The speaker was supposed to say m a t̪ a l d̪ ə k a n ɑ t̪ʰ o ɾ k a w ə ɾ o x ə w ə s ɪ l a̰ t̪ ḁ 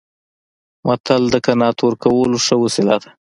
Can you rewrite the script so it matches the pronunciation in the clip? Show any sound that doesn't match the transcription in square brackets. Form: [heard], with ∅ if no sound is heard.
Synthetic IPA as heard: m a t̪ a l d̪ ə k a n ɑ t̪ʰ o ɾ k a w ə [l] o [ʂ] ə w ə s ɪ l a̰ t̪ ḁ